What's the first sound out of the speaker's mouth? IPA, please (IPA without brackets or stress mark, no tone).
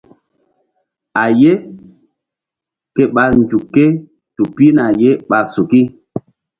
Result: a